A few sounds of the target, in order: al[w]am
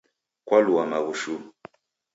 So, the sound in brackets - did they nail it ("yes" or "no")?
no